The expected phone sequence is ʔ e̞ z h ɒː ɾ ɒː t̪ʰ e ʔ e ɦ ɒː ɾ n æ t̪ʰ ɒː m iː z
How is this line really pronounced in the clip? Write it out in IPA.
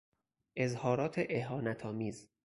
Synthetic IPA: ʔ e̞ z h ɒː ɾ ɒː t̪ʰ e ʔ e ɦ ɒː n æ t̪ʰ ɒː m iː z